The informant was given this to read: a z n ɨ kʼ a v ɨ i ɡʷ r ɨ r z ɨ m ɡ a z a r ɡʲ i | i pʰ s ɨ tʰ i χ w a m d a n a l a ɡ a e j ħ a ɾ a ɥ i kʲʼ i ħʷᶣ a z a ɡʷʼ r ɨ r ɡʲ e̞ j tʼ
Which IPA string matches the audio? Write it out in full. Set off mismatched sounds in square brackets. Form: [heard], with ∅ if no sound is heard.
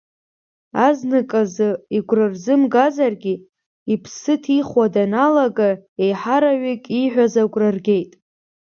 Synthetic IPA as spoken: a z n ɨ kʼ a [z] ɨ i ɡʷ r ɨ r z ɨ m ɡ a z a r ɡʲ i | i pʰ s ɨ tʰ i χ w a [∅] d a n a l a ɡ a e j ħ a ɾ a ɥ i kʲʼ i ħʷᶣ a z a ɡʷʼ r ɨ r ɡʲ e̞ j tʼ

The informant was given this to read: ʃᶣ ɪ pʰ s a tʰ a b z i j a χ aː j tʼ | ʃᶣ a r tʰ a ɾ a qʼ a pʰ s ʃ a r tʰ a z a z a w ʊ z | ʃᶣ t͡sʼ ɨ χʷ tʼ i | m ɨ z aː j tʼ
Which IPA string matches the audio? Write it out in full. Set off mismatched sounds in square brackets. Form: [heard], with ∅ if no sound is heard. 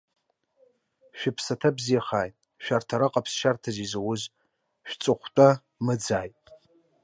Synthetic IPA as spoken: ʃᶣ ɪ pʰ s a tʰ a b z i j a χ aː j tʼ | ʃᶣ a r tʰ a ɾ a qʼ a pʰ s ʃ a r tʰ a z [i] z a w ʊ z | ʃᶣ t͡sʼ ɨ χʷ tʼ [a] | m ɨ [d͡z] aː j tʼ

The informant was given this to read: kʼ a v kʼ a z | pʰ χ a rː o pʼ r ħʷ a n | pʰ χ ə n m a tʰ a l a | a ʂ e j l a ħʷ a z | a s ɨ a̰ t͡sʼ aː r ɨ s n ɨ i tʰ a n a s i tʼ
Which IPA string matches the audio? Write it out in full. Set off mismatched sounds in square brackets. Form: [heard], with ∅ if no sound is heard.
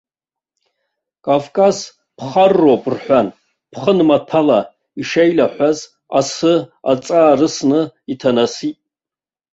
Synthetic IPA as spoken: kʼ a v kʼ a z | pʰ χ a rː o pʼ r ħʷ a n | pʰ χ ə n m a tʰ a l a | [i] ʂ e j l a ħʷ a z | a s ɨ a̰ t͡sʼ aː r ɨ s n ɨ i tʰ a n a s i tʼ

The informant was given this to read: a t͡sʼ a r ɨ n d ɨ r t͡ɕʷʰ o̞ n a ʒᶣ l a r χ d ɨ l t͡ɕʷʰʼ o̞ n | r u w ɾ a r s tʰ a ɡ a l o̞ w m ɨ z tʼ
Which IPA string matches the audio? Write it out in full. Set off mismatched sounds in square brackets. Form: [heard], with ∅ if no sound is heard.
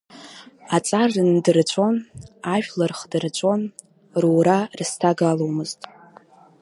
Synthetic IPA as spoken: a t͡sʼ a r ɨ n d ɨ r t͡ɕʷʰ o̞ n a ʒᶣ l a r χ d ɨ [r] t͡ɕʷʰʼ o̞ n | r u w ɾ a r s tʰ a ɡ a l o̞ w m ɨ z tʼ

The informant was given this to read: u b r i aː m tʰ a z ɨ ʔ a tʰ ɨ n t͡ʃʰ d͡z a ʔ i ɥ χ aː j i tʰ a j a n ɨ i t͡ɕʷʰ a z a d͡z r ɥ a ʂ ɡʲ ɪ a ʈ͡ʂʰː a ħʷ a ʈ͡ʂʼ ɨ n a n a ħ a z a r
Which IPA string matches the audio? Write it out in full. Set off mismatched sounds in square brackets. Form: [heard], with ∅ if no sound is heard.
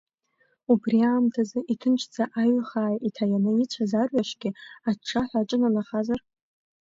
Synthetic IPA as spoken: u b r i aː m tʰ a z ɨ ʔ [i] tʰ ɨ n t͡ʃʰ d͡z a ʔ [a] ɥ χ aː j i tʰ a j a n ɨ i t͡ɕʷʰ a z a [∅] r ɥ a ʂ ɡʲ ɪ a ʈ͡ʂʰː a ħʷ a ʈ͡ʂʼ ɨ n a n a [χ] a z a r

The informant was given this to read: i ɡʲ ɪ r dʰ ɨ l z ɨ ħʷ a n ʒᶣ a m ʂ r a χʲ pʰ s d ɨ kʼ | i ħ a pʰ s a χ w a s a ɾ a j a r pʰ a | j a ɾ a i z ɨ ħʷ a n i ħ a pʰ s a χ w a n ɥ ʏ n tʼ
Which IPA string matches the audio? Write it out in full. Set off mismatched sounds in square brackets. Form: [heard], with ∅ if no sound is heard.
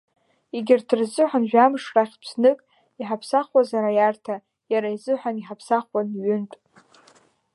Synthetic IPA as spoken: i ɡʲ ɪ r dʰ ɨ [r] z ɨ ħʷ a n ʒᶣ a m ʂ r a χʲ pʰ s [n] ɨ kʼ | i ħ a pʰ s a χ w a [z] a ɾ a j a r [tʰ] a | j a ɾ a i z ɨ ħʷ a n i ħ a pʰ s a χ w a n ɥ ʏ n tʼ

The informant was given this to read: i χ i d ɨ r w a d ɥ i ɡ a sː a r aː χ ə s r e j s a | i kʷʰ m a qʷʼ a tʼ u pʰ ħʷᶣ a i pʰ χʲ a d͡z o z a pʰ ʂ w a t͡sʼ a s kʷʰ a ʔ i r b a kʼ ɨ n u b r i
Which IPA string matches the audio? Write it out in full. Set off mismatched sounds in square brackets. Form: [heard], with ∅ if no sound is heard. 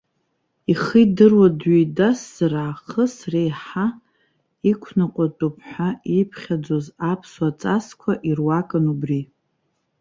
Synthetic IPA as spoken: i χ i d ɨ r w a d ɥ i [d] a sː a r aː χ ə s r e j [ħ] a | i kʷʰ [n] a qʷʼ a tʼ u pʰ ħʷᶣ a i pʰ χʲ a d͡z o z a pʰ [s] w a t͡sʼ a s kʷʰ a ʔ i r [w] a kʼ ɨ n u b r i

